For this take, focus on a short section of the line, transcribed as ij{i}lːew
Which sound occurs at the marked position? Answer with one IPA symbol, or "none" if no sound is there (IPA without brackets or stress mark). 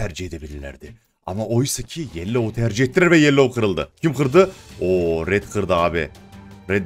e